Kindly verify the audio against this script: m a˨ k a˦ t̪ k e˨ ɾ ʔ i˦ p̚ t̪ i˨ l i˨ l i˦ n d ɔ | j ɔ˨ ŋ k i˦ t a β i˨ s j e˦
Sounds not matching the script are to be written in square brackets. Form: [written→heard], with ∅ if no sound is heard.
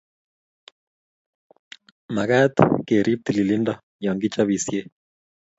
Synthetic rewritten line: m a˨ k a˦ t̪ k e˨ ɾ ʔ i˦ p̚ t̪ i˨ l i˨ l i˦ n d ɔ | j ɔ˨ ŋ [k→ɡ] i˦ [t→t͡ʃ] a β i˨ s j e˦